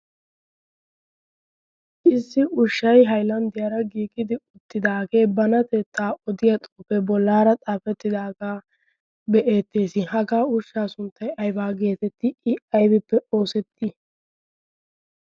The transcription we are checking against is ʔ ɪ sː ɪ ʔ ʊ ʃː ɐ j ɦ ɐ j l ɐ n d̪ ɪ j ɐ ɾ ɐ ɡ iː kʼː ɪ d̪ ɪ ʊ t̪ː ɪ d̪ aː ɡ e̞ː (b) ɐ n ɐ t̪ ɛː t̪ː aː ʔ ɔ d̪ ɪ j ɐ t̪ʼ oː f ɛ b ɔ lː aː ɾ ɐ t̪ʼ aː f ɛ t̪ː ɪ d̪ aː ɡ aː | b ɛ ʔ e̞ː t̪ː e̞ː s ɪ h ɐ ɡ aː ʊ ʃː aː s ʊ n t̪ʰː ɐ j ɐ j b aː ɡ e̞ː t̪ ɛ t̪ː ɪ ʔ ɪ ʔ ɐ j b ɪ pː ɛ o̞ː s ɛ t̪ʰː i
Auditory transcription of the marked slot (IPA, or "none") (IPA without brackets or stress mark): b